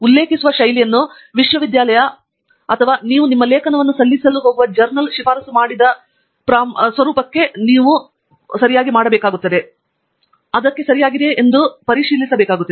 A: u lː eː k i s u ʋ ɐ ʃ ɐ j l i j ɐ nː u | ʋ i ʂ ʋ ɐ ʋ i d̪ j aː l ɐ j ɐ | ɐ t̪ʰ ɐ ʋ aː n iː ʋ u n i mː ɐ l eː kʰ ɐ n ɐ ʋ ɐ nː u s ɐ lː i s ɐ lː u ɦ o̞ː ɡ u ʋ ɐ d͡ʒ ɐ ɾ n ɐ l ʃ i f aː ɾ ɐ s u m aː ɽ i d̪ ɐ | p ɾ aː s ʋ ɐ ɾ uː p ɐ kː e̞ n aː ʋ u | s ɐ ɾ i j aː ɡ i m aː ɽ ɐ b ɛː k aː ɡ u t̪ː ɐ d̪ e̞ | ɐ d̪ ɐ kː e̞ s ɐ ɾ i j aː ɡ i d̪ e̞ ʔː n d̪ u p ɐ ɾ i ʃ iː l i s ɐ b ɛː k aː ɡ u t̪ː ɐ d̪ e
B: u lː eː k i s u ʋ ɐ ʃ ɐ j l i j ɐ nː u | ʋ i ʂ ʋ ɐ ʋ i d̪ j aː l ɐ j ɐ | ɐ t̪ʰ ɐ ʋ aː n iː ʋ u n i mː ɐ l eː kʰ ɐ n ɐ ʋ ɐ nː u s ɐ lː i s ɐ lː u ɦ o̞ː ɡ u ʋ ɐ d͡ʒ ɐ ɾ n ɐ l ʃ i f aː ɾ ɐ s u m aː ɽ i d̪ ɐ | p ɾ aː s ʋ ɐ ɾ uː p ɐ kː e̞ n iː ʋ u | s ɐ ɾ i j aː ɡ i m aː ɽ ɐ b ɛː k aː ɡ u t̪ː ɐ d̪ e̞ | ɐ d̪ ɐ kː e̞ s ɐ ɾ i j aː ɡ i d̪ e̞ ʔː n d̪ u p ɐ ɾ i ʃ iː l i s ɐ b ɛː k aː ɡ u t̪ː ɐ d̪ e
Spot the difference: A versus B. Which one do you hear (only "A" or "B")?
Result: B